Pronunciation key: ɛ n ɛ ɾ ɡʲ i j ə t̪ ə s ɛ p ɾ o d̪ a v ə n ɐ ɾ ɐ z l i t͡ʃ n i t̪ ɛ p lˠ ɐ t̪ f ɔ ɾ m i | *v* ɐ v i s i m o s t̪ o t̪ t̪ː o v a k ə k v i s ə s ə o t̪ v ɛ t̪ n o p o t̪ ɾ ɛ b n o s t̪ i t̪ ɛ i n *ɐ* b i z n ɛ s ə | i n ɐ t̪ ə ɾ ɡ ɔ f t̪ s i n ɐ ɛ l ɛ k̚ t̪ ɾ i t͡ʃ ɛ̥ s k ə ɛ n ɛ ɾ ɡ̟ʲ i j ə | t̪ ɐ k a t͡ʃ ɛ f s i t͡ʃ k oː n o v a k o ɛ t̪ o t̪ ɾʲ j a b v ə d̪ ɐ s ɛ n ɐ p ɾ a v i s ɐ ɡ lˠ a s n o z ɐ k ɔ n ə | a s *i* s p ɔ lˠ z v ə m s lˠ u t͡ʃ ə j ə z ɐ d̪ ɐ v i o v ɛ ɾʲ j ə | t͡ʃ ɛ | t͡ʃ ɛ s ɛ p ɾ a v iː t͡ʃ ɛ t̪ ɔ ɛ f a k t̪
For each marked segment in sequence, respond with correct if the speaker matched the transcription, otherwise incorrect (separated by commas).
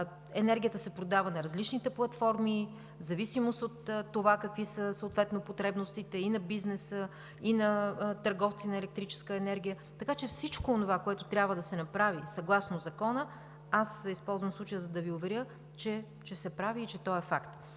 incorrect, correct, correct